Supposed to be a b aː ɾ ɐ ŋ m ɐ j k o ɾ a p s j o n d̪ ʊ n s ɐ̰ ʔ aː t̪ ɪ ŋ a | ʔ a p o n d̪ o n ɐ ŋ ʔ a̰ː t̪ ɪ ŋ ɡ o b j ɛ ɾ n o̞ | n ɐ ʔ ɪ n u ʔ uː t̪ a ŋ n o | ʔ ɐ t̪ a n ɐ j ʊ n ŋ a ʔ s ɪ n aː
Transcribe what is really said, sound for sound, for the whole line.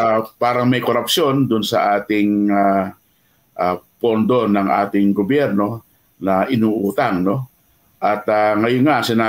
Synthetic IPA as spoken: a p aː ɾ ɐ ŋ m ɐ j k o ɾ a p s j o n d̪ ʊ n s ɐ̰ ʔ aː t̪ ɪ ŋ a | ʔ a p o n d̪ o n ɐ ŋ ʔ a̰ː t̪ ɪ ŋ ɡ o b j ɛ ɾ n o̞ | n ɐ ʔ ɪ n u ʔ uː t̪ a ŋ n o | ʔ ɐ t̪ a ŋ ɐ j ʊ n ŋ a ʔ s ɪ n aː